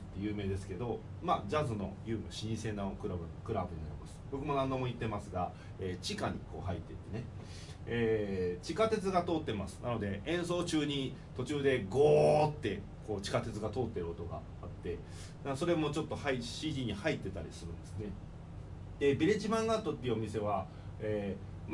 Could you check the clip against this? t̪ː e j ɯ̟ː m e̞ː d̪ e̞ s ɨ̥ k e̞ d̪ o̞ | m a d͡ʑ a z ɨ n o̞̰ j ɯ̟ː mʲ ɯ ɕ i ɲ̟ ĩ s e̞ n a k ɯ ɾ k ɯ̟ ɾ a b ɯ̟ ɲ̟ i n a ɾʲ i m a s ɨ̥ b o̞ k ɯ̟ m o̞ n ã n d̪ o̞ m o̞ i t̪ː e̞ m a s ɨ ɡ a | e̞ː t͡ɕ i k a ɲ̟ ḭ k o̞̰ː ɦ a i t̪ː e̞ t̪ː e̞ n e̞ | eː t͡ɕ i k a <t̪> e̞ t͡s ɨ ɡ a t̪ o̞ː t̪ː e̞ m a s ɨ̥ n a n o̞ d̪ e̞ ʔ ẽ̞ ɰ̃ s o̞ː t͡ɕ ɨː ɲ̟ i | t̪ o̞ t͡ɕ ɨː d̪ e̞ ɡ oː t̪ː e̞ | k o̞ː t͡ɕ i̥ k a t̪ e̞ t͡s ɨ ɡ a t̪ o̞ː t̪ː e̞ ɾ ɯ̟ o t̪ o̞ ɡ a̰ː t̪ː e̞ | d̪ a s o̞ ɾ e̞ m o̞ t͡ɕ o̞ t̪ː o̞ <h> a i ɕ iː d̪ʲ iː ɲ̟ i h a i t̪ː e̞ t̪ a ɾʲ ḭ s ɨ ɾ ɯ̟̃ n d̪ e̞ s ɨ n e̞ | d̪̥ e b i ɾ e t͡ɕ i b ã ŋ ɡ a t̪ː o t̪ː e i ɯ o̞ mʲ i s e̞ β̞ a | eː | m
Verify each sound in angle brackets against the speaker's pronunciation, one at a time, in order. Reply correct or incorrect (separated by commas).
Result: correct, correct